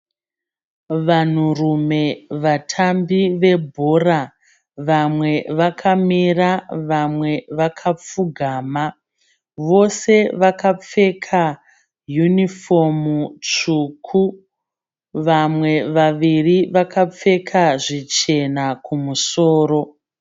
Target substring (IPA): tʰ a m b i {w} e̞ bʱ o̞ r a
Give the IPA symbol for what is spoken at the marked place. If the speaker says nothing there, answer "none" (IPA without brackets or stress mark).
ʋ